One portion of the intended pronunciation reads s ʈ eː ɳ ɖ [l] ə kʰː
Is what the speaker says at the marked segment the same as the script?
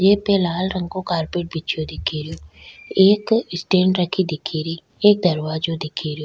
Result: no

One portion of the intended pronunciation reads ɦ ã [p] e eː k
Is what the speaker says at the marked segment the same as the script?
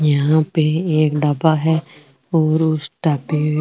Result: yes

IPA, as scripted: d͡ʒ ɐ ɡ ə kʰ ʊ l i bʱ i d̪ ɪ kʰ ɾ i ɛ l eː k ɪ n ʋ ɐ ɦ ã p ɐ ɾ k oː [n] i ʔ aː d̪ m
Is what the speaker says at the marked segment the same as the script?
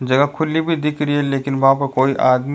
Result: no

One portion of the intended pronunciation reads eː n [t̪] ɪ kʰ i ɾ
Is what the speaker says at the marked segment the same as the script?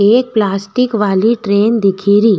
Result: no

